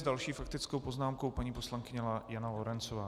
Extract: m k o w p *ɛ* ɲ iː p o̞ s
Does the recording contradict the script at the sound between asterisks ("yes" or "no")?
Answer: yes